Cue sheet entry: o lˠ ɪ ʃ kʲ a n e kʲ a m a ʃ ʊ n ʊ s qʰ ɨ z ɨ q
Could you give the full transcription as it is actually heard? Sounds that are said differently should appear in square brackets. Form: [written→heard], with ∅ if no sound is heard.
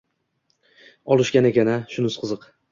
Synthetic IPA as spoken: [o→ɒ] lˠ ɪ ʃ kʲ a n e kʲ a [m→n] a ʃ ʊ n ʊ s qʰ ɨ z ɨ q